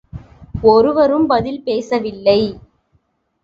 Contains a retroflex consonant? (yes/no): no